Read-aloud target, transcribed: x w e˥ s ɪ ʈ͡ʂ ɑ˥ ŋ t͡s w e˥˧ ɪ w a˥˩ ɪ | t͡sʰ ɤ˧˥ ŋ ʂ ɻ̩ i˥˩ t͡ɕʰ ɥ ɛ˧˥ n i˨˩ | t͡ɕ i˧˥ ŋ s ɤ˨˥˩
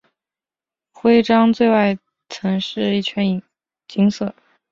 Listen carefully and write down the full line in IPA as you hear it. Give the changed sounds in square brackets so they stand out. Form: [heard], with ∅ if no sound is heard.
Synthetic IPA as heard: x w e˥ [∅] ɪ ʈ͡ʂ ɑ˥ ŋ t͡s w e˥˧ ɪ w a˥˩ ɪ | t͡sʰ ɤ˧˥ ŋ ʂ ɻ̩ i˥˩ t͡ɕʰ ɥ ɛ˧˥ n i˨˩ | t͡ɕ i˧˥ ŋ s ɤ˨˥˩